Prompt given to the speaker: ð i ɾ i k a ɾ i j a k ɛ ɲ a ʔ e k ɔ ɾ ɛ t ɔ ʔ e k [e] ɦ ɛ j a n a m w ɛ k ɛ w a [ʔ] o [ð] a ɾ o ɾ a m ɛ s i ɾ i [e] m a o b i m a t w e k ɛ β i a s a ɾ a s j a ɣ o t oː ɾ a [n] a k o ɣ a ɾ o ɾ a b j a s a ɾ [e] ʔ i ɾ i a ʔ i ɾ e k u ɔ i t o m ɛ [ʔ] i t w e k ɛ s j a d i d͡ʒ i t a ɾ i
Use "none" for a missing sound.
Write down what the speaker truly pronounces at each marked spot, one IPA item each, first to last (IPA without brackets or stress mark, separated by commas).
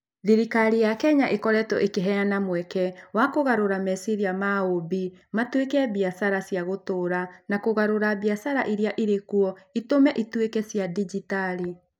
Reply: e, k, ɣ, a, n, a, ʔ